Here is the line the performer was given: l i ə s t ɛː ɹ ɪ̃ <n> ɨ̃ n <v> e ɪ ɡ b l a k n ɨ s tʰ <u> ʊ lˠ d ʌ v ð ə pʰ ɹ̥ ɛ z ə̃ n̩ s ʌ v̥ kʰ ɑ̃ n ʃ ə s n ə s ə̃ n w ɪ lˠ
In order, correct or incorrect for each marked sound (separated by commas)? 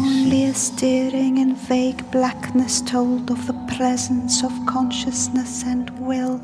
incorrect, correct, incorrect